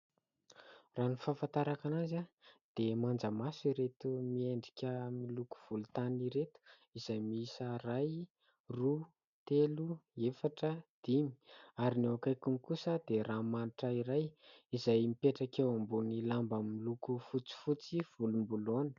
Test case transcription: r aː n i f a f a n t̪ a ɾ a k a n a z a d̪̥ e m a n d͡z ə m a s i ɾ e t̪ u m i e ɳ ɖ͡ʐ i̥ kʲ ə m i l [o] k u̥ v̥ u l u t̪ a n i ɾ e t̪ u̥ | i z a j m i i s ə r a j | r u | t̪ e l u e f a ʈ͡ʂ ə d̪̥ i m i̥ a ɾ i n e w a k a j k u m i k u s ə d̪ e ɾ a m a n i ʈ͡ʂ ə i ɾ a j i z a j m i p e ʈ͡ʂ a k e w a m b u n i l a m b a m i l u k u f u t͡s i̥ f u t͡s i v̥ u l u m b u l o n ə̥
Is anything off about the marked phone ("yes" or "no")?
yes